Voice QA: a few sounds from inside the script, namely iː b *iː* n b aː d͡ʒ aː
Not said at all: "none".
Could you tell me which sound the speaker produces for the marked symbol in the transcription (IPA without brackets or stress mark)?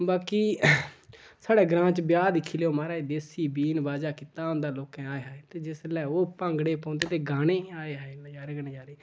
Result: iː